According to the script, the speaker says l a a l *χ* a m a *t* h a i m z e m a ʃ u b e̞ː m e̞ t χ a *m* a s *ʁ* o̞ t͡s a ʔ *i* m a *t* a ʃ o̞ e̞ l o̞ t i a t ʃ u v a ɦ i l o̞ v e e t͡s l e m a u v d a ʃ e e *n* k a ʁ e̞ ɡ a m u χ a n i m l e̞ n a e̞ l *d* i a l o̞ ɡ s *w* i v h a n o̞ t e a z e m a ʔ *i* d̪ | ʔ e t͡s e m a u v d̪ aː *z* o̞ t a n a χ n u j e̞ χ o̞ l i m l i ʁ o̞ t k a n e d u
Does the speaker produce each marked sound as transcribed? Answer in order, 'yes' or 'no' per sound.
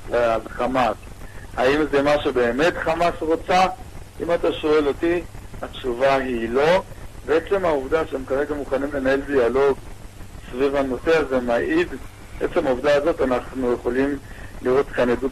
yes, no, yes, yes, yes, yes, no, yes, no, yes, yes

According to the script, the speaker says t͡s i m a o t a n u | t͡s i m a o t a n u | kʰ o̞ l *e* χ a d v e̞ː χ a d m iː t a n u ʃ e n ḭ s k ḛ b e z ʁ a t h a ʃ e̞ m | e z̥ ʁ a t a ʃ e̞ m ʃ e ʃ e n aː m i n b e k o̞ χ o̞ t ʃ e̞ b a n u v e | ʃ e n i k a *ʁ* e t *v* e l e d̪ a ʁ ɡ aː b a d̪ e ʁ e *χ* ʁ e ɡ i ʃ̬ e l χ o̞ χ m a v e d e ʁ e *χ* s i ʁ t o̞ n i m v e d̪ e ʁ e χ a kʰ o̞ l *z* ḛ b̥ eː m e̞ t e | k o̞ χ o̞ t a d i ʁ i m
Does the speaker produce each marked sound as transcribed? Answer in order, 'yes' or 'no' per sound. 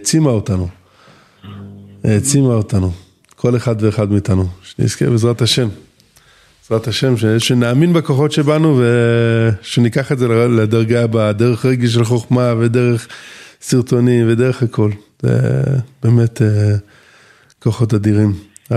yes, no, no, yes, yes, yes

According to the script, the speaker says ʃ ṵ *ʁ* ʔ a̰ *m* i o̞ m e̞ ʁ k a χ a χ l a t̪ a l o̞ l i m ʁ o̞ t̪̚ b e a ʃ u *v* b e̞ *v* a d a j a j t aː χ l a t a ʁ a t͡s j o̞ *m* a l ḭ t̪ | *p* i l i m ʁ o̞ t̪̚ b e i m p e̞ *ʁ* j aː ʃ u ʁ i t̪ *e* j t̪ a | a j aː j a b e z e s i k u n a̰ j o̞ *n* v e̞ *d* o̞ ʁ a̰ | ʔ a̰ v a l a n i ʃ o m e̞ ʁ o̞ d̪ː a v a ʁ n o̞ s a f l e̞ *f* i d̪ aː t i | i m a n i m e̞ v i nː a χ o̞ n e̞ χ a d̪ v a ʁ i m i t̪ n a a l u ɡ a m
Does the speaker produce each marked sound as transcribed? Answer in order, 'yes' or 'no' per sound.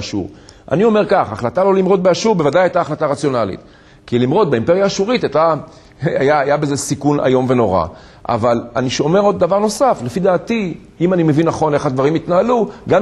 yes, no, no, yes, no, no, yes, no, no, no, yes

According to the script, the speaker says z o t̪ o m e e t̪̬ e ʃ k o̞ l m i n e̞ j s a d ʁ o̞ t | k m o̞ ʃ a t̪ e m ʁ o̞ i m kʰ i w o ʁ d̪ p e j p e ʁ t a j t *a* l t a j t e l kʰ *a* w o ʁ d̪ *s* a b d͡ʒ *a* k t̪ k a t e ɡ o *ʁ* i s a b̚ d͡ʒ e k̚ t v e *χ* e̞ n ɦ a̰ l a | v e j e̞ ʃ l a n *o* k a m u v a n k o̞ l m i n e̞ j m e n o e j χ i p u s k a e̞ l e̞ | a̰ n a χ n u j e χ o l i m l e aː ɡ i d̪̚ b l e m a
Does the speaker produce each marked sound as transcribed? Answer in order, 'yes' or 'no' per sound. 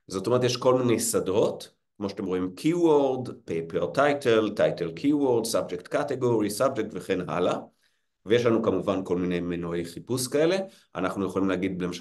no, no, yes, no, yes, yes, no

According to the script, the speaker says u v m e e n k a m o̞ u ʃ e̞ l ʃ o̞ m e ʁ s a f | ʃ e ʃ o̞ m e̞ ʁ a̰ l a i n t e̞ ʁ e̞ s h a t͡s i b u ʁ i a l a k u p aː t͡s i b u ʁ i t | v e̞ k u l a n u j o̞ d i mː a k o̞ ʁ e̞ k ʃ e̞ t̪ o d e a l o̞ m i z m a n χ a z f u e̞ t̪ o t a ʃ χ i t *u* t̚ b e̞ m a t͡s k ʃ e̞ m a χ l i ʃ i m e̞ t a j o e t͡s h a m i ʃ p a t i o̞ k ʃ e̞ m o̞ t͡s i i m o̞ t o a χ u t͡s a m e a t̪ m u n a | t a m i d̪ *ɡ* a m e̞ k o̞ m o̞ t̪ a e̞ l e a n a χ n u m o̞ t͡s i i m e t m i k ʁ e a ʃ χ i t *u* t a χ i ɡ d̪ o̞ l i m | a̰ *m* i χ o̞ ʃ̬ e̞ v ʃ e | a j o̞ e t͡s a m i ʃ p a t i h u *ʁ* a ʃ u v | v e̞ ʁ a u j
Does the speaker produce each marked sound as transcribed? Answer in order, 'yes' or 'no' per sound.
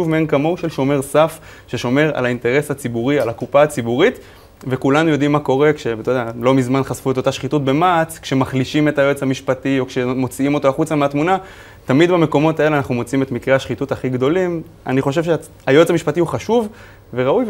yes, no, yes, no, no

